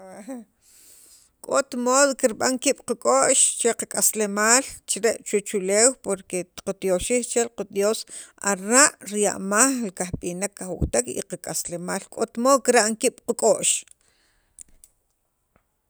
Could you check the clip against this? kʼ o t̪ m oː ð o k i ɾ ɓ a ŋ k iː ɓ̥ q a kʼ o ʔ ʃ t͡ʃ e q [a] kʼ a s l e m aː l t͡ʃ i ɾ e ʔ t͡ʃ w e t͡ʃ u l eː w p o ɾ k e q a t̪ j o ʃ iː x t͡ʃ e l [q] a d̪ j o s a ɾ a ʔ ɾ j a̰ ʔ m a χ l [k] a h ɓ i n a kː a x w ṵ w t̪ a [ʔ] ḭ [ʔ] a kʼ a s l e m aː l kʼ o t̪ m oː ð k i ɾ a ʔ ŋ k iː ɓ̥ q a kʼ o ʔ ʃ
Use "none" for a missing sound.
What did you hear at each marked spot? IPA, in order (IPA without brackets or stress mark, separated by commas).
a, q, k, k, q